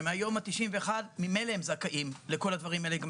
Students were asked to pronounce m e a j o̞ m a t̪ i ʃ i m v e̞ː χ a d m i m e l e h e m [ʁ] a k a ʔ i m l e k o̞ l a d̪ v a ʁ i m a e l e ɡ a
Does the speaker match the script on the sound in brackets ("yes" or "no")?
no